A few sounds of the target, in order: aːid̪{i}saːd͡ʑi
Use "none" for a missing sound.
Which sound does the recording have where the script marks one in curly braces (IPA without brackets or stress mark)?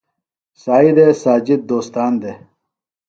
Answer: e